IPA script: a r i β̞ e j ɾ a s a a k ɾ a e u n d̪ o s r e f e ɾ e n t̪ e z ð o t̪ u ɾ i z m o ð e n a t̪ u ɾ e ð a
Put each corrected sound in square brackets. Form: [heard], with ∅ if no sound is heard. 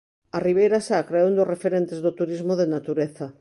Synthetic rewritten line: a r i β̞ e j ɾ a s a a k ɾ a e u n d̪ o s r e f e ɾ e n t̪ e z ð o t̪ u ɾ i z m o ð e n a t̪ u ɾ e [θ] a

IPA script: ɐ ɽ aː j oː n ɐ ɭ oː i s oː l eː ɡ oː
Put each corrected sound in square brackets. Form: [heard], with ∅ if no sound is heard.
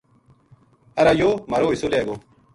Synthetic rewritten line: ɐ [ɾ] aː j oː [m] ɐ [ɾ] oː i s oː l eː ɡ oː

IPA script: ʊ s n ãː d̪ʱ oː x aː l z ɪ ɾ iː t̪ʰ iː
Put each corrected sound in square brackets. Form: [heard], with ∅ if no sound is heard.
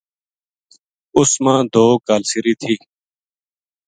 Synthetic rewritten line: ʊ s [m] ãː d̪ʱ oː [k] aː l [s] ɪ ɾ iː t̪ʰ iː

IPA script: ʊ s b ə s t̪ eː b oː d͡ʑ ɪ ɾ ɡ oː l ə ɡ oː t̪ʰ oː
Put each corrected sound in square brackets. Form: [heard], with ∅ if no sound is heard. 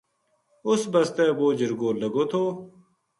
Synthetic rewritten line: ʊ s b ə s t̪ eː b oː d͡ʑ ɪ ɾ ɡ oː l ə ɡ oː t̪ʰ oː

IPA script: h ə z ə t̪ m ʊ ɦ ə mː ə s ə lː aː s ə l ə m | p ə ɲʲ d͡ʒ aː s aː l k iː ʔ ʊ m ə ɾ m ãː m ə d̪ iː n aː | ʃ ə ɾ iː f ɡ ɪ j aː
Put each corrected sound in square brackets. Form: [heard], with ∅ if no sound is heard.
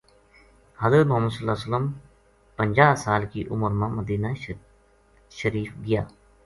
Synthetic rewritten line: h ə z ə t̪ m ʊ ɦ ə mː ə s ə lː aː s ə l ə m | p ə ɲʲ d͡ʒ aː s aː l k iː ʔ ʊ m ə ɾ m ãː m ə d̪ iː n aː | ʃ ə ɾ iː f ɡ ɪ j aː

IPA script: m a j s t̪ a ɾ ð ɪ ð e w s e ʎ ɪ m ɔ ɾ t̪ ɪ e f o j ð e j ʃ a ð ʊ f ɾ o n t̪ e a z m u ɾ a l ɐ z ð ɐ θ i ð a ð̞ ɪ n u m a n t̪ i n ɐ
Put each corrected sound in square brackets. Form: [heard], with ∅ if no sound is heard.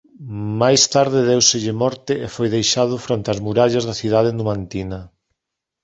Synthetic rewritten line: m a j s t̪ a ɾ ð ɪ ð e w s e ʎ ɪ m ɔ ɾ t̪ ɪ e f o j ð e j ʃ a ð ʊ f ɾ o n t̪ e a z m u ɾ a [ʎ] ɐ z ð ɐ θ i ð a ð̞ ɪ n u m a n t̪ i n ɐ

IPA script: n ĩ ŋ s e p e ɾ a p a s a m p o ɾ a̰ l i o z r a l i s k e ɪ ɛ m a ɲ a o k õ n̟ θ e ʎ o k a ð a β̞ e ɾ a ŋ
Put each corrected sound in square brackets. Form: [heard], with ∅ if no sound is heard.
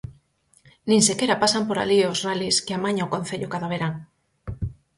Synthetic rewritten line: n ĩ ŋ s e [k] e ɾ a p a s a m p o ɾ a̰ l i o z r a l i s k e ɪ [a] m a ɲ a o k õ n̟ θ e ʎ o k a ð a β̞ e ɾ a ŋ

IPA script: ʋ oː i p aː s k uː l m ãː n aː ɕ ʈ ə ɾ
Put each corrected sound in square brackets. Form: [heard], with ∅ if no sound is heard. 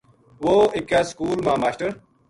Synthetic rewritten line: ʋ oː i [k] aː s k uː l m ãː [m] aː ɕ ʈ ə ɾ

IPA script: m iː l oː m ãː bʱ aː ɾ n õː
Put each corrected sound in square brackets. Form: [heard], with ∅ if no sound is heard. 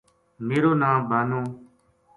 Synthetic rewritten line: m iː [ɾ] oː [n] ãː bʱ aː [∅] n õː

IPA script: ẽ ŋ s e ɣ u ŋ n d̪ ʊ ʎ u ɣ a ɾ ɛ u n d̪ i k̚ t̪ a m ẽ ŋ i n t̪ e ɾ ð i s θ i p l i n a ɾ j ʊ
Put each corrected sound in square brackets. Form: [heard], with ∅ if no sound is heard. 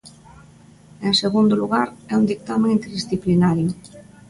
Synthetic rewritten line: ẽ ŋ s e ɣ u [∅] n d̪ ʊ [l] u ɣ a ɾ ɛ u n d̪ i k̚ t̪ a m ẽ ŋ i n t̪ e ɾ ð i s θ i p l i n a ɾ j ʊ

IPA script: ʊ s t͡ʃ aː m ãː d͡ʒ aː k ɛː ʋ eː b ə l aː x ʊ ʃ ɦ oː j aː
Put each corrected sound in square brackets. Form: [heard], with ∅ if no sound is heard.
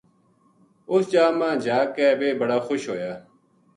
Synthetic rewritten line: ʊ s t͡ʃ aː m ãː d͡ʒ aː k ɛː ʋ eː b ə [ɽ] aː x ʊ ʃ ɦ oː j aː

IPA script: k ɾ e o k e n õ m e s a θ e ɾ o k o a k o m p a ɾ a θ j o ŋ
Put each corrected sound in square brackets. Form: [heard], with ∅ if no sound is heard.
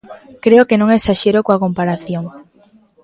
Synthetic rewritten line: k ɾ e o k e n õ [ŋ] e s a [ʃ] e ɾ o k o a k o m p a ɾ a θ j o ŋ

